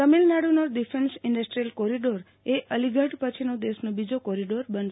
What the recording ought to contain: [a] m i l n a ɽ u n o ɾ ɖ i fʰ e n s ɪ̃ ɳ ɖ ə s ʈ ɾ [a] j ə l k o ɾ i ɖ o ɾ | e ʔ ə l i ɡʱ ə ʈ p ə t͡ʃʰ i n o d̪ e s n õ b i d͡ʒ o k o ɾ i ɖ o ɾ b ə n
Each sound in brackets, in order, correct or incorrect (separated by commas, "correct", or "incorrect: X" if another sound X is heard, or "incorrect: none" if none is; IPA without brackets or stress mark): incorrect: ə, incorrect: i